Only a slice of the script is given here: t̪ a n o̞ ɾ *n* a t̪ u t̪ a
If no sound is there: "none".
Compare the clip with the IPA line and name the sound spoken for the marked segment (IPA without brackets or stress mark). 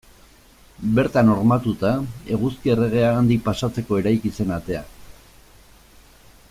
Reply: m